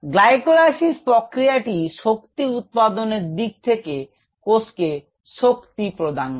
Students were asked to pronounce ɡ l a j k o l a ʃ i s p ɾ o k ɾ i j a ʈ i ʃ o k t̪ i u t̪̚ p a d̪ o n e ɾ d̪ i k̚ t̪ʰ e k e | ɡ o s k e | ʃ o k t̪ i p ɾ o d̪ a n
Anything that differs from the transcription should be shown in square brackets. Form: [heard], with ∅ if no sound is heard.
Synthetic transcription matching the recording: ɡ l a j k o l a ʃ i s p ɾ o k ɾ i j a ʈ i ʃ o k t̪ i u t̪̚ p a d̪ o n e ɾ d̪ i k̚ t̪ʰ e k e | [k] o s k e | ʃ o k t̪ i p ɾ o d̪ a n